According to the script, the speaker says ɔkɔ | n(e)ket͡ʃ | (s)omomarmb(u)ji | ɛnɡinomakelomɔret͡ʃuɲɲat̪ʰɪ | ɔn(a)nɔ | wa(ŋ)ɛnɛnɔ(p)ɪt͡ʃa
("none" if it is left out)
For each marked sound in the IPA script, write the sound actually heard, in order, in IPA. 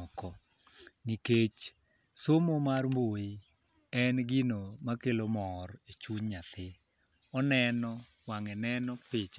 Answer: i, s, o, ɛ, ŋ, p

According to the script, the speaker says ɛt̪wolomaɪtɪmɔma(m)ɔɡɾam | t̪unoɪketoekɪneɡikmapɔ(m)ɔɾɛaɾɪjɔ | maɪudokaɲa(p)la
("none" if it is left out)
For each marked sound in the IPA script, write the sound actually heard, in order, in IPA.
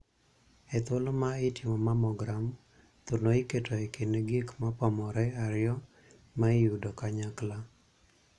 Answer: m, m, k

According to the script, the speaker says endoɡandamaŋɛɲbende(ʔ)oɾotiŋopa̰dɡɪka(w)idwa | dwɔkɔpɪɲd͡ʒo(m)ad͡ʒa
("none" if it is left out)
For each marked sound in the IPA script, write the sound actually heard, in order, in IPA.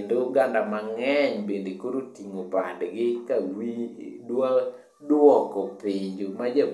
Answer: k, w, m

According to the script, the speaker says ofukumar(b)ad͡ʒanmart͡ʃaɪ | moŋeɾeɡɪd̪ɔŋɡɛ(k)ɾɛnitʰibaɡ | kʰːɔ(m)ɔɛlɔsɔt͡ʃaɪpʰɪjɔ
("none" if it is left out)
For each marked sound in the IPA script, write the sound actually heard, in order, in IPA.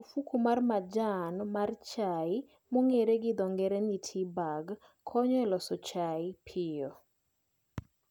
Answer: m, none, ɲ

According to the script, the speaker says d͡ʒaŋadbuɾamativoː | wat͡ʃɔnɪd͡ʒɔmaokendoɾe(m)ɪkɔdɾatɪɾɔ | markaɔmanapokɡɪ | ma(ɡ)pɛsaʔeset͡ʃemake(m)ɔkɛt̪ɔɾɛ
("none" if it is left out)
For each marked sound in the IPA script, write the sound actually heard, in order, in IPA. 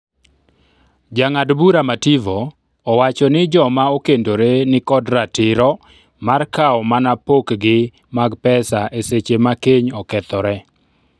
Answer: n, ɡ, ɲ

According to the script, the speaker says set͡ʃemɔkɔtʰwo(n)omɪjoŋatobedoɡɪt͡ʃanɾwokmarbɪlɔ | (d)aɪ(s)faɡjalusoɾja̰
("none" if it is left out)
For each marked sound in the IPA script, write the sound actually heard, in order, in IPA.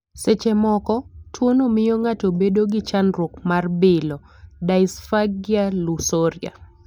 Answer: n, d, s

